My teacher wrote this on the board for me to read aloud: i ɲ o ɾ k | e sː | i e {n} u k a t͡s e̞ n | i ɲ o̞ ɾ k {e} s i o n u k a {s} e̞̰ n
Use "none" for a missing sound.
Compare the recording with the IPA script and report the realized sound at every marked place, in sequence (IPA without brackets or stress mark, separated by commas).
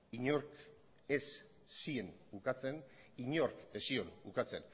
n, e, t͡s